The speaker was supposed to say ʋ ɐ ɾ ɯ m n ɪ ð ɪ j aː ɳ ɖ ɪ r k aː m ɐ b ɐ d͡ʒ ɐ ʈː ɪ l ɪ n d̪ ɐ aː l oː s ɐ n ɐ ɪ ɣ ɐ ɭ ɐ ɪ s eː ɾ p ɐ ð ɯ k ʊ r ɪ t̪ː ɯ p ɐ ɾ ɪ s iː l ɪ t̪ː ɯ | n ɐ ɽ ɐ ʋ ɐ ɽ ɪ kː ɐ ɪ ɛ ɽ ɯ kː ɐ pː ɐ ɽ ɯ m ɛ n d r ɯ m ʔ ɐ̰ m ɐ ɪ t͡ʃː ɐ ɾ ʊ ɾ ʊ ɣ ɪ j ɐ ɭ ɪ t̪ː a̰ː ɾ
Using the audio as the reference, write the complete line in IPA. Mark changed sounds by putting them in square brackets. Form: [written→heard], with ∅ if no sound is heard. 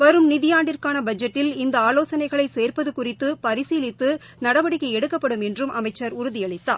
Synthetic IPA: ʋ ɐ ɾ ɯ m n ɪ ð ɪ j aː ɳ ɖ ɪ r k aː [m→n] ɐ b ɐ d͡ʒ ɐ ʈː ɪ l ɪ n d̪ ɐ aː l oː s ɐ n ɐ ɪ ɣ ɐ ɭ ɐ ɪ s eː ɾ p ɐ ð ɯ k ʊ r ɪ t̪ː ɯ p ɐ ɾ ɪ s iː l ɪ t̪ː ɯ | n ɐ ɽ ɐ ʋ ɐ ɽ ɪ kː ɐ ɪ ɛ ɽ ɯ kː ɐ pː ɐ ɽ ɯ m ɛ n d r ɯ m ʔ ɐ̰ m ɐ ɪ t͡ʃː ɐ ɾ ʊ ɾ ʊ [ɣ→ð] ɪ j ɐ ɭ ɪ t̪ː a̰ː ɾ